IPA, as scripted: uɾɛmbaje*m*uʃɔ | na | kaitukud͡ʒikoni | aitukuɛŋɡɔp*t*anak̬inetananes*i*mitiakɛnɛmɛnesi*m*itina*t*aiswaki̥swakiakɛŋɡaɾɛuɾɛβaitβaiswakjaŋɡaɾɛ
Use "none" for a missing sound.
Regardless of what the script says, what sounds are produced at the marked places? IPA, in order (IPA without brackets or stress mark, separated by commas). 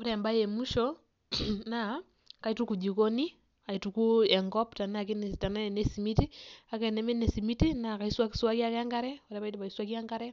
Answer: m, t, i, m, k